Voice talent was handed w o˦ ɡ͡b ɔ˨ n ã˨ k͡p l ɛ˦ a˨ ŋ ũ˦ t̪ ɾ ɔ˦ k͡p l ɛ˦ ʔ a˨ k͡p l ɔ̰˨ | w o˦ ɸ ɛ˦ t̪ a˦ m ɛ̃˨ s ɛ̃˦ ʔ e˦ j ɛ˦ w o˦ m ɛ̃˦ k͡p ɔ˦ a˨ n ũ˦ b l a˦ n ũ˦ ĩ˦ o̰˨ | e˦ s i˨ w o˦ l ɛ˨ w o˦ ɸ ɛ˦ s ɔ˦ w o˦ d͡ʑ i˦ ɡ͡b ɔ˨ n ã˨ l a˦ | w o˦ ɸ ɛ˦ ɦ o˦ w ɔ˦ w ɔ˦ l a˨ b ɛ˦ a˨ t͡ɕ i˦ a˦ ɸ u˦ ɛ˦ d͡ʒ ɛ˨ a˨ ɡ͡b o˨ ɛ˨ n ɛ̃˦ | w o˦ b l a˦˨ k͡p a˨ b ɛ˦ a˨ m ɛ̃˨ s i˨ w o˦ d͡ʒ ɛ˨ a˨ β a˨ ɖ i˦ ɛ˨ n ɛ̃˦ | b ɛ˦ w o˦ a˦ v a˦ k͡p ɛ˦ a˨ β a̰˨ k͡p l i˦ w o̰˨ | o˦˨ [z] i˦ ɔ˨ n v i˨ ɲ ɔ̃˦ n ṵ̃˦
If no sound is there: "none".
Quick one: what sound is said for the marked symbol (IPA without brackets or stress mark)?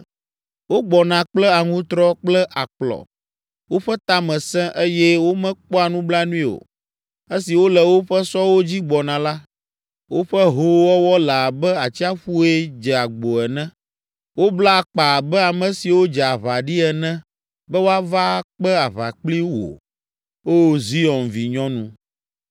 z